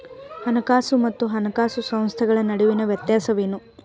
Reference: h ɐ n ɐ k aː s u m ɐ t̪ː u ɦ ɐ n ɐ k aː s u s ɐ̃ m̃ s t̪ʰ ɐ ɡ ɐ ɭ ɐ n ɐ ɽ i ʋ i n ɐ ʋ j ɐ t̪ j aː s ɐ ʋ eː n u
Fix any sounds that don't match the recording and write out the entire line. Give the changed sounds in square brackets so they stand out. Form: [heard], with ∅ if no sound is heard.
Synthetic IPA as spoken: h ɐ n ɐ k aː s u m ɐ t̪ː u ɦ ɐ n ɐ k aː s u s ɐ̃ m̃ s t̪ʰ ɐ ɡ ɐ ɭ ɐ n ɐ ɽ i ʋ i n ɐ ʋ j ɐ t̪ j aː s ɐ ʋ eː n u